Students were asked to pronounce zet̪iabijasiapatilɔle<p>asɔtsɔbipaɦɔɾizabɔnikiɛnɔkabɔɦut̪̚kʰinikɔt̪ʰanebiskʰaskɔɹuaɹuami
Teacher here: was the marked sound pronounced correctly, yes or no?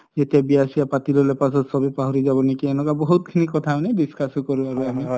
yes